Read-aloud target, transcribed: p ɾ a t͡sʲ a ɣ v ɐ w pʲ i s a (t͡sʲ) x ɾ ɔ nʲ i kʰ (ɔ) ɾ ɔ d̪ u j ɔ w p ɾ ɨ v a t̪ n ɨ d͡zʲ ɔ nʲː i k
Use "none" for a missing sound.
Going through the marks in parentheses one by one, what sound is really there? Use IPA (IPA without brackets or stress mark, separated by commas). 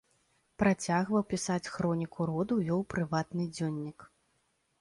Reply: t͡sʲ, u